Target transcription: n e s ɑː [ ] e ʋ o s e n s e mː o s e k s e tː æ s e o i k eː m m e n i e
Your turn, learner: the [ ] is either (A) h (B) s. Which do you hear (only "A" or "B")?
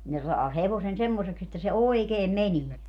A